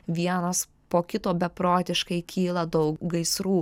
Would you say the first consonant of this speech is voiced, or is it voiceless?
voiced